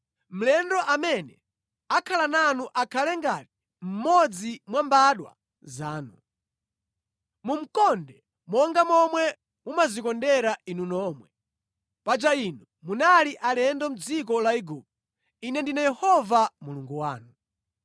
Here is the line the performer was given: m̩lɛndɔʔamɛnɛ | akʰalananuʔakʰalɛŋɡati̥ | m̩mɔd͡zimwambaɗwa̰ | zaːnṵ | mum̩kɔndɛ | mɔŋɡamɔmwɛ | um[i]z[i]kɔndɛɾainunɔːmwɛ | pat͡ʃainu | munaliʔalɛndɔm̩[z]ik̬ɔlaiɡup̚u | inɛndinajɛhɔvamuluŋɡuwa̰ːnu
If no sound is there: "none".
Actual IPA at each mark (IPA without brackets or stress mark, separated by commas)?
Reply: a, i, d͡z